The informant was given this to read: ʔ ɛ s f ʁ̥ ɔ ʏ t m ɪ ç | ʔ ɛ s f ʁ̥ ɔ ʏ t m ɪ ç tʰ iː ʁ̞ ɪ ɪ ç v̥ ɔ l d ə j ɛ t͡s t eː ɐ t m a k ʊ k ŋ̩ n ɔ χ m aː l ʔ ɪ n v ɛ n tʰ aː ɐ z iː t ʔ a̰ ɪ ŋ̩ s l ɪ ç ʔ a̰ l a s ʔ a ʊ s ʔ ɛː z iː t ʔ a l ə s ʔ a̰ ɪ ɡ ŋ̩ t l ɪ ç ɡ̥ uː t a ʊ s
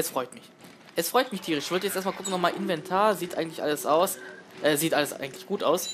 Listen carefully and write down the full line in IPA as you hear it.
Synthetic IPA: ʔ ɛ s f ʁ̥ ɔ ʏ t m ɪ ç | ʔ ɛ s f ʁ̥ ɔ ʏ t m ɪ ç tʰ iː ʁ̞ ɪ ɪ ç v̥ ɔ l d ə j ɛ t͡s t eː ɐ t m a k ʊ k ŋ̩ n ɔ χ m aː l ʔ ɪ n v ɛ n tʰ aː ɐ z iː t ʔ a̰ ɪ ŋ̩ t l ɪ ç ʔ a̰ l ə s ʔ a ʊ s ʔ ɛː z iː t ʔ a l ə s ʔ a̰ ɪ ɡ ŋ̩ t l ɪ ç ɡ̥ uː t a ʊ s

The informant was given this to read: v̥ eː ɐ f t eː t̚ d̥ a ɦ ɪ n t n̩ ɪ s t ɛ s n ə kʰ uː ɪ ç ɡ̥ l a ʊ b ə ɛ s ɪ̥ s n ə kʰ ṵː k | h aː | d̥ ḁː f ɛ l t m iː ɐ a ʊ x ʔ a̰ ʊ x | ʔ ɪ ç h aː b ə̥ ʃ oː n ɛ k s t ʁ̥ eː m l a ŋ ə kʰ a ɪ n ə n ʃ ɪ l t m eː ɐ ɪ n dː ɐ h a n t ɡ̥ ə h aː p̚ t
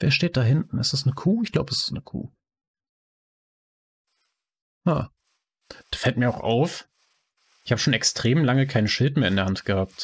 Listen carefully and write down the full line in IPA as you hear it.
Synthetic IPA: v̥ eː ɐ ʃ t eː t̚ d̥ a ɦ ɪ n t n̩ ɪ s t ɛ s n ə kʰ uː ɪ ç ɡ̥ l a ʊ b ə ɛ s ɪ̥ s n ə kʰ ṵː | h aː | d̥ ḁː f ɛ l t m iː ɐ a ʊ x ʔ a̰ ʊ f | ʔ ɪ ç h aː b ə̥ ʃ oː n ɛ k s t ʁ̥ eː m l a ŋ ə kʰ a ɪ n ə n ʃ ɪ l t m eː ɐ ɪ n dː ɐ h a n t ɡ̥ ə h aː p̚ t

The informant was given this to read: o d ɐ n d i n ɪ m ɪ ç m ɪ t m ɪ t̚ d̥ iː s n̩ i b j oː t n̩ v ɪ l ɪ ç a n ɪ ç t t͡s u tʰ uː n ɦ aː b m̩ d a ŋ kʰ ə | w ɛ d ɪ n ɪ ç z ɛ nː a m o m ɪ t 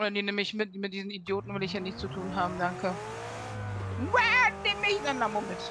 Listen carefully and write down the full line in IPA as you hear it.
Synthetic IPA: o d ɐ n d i n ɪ m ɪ ç m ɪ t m ɪ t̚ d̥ iː z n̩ i d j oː t n̩ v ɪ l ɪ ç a n ɪ ç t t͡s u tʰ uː n ɦ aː b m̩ d a ŋ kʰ ə | w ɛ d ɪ m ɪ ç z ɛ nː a m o m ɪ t

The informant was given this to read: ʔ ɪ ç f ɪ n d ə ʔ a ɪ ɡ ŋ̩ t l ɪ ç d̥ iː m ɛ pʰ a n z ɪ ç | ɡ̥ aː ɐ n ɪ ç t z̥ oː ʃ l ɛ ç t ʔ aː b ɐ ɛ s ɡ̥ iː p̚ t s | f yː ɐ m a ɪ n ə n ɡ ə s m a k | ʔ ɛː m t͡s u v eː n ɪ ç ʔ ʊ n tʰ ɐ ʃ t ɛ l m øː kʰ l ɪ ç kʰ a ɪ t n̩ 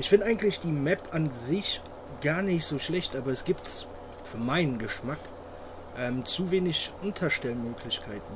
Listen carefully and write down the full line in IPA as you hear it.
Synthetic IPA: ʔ ɪ ç f ɪ n d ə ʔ a ɪ ɡ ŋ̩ t l ɪ ç d̥ iː m ɛ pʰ a n z ɪ ç | ɡ̥ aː ɐ n ɪ ç t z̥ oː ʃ l ɛ ç t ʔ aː b ɐ ɛ s ɡ̥ iː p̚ t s | f yː ɐ m a ɪ n ə n ɡ ə ʃ m a k | ʔ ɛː m t͡s u v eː n ɪ ç ʔ ʊ n tʰ ɐ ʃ t ɛ l m øː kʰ l ɪ ç kʰ a ɪ t n̩

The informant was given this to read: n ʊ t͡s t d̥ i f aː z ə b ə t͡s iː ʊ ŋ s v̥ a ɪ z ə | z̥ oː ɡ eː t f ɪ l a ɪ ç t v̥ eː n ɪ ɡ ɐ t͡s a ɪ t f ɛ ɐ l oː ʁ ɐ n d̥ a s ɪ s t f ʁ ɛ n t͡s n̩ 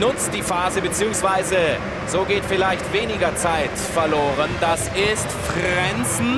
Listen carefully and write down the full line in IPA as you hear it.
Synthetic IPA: n ʊ t͡s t d̥ iː f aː z ə b ə t͡s iː ʊ ŋ s v̥ a ɪ z ə | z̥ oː ɡ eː t f ɪ l a ɪ ç t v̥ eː n ɪ ɡ ɐ t͡s a ɪ t f ɛ ɐ l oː ʁ ə n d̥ a s ɪ s t f ʁ ɛ n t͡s n̩

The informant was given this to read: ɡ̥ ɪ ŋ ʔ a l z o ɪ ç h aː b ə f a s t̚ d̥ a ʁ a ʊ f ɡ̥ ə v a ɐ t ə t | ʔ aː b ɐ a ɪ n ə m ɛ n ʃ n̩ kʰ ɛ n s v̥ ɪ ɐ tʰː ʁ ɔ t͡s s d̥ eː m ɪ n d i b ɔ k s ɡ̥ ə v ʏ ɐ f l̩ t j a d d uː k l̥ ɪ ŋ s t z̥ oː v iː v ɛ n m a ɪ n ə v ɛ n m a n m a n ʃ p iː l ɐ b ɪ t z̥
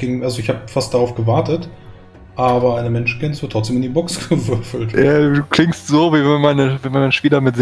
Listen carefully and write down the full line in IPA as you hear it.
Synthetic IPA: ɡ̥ ɪ ŋ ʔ a l z o ɪ ç h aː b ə f a s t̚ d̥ a ʁ a ʊ f ɡ̥ ə v a ɐ t ə t | ʔ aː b ɐ a ɪ n ə m ɛ n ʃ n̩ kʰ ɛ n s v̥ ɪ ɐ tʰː ʁ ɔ t͡s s d̥ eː m ɪ n d i b ɔ k s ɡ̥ ə v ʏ ɐ f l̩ t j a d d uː k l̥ ɪ ŋ s t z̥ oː v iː v ɛ n m a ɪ n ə v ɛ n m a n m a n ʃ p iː l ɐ m ɪ t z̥

